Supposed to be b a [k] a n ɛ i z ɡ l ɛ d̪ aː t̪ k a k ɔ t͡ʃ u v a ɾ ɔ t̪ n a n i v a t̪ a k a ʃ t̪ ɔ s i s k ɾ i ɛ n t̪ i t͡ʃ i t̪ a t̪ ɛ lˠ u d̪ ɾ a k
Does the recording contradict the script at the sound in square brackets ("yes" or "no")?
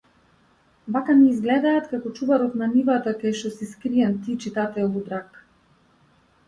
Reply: no